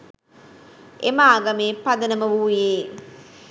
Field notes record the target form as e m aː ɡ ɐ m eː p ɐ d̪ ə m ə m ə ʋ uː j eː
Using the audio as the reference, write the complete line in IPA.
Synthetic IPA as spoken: e m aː ɡ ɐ m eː p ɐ d̪ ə n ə m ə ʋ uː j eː